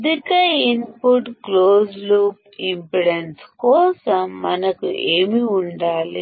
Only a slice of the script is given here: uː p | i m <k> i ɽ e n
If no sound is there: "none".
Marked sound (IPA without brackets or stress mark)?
p